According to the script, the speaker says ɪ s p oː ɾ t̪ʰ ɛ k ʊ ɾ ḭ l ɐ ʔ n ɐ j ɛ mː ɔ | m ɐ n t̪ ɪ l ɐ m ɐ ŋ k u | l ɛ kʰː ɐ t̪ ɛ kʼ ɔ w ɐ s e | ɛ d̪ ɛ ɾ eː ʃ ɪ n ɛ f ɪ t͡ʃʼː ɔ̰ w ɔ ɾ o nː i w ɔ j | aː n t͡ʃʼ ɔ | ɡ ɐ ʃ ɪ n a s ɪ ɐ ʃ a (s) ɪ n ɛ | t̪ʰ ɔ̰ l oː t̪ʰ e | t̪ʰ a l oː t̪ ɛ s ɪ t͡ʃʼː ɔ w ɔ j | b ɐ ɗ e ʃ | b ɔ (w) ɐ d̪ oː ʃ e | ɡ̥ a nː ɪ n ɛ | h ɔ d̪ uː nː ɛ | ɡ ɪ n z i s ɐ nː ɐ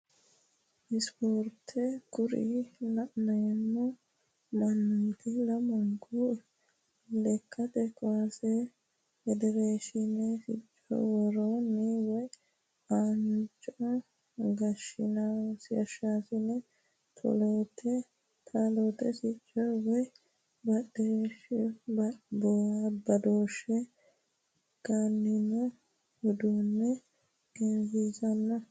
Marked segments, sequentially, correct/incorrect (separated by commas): correct, incorrect